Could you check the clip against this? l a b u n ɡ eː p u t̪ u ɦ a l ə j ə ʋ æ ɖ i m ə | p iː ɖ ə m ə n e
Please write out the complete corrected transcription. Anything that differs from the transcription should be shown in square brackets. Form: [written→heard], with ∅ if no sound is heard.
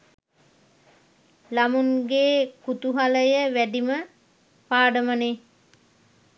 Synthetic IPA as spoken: l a [b→m] u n ɡ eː [p→k] u t̪ u ɦ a l ə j ə ʋ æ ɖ i m ə | p [iː→aː] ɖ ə m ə n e